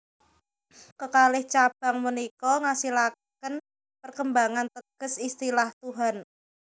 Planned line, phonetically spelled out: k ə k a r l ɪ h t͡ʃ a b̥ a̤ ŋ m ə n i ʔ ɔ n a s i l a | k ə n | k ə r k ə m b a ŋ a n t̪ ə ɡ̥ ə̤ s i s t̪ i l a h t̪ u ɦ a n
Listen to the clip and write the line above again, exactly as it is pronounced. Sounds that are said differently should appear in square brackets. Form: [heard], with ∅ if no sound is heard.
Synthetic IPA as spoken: k ə k a [∅] l ɪ h t͡ʃ a b̥ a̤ ŋ m ə n i [k] ɔ [ŋ] a s i l a | k ə n | [p] ə r k ə m b a ŋ a n t̪ ə ɡ̥ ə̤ s i s t̪ i l a h t̪ u ɦ a n